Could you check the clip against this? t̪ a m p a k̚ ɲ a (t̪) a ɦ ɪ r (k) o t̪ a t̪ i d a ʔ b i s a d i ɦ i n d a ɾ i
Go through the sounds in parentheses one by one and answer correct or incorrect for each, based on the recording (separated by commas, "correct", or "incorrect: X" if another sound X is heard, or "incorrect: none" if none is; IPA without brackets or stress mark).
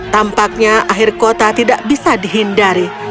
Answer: incorrect: none, correct